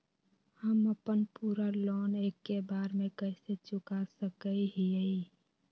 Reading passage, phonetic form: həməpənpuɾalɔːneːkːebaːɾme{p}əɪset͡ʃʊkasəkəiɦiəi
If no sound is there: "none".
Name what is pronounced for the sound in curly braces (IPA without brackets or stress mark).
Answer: k